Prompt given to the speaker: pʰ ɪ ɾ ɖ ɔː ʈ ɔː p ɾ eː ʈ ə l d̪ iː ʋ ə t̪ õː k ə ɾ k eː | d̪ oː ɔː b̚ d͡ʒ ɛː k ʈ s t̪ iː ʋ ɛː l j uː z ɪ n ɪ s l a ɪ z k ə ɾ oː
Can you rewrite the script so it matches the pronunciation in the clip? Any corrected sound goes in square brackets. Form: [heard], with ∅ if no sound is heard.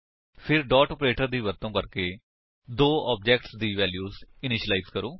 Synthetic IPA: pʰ ɪ ɾ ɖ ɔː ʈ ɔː p ɾ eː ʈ ə [ɾ] d̪ iː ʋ ə t̪ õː k ə ɾ k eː | d̪ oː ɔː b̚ d͡ʒ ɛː k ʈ s [d̪] iː ʋ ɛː l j uː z ɪ n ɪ [ʃ] l a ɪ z k ə ɾ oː